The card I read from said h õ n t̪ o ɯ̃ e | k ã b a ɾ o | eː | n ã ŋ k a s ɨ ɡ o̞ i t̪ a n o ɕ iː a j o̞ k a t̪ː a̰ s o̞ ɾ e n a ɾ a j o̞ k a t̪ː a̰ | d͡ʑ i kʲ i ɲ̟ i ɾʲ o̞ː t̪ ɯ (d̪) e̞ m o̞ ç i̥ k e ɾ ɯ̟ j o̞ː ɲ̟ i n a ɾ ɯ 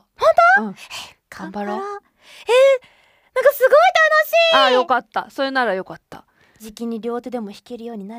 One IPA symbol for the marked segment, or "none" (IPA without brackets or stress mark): d̪